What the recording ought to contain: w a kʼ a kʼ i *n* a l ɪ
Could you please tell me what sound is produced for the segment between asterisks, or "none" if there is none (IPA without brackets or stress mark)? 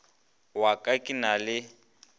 n